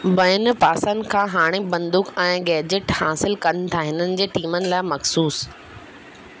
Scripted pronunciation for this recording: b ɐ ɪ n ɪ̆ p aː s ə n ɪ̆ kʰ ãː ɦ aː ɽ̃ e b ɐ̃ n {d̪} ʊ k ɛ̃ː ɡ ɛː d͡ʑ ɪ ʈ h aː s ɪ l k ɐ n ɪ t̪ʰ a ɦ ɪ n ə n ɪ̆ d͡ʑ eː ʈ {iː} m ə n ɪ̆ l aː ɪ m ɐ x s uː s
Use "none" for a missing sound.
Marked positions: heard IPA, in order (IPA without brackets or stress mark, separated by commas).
d̪, iː